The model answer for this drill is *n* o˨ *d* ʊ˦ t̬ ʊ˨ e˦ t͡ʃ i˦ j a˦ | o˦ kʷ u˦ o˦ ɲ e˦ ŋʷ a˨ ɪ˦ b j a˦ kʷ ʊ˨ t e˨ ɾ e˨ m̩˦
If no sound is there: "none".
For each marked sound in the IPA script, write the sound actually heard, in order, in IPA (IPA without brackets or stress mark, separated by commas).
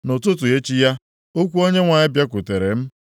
n, t